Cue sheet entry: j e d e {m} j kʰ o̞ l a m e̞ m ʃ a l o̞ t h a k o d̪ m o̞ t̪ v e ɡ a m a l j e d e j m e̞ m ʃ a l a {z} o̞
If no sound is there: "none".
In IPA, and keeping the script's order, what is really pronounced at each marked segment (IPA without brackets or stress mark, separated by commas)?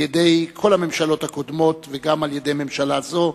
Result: none, z